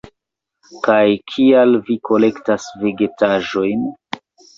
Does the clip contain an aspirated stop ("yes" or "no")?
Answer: yes